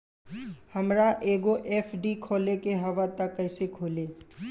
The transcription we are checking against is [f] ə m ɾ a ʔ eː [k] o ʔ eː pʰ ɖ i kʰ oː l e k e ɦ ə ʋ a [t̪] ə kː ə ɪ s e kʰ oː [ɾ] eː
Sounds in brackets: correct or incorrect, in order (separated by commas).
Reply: incorrect, incorrect, correct, incorrect